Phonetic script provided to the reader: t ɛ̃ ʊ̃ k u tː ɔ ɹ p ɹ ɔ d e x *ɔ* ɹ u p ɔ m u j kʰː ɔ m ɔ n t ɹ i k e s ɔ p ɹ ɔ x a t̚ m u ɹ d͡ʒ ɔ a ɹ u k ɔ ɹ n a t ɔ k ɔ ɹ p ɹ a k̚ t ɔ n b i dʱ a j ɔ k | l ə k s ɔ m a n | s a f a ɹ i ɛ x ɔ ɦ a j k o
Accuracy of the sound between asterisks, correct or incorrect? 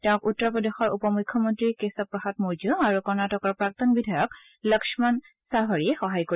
correct